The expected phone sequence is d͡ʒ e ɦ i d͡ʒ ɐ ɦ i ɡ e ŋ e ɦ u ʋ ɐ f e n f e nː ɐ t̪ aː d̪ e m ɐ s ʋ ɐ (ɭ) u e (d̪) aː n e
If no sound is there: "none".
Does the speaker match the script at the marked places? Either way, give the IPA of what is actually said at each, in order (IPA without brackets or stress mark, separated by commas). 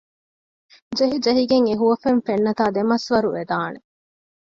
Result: ɾ, d̪